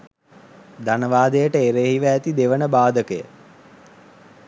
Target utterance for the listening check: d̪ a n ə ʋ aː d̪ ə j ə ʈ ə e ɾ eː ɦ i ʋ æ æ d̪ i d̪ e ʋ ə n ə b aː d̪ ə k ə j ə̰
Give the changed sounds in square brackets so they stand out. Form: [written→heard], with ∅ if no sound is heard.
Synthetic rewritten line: d̪ a n ə ʋ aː d̪ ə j ə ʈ ə e ɾ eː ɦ i ʋ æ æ [d̪→t̪] i d̪ e ʋ ə n ə b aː d̪ ə k ə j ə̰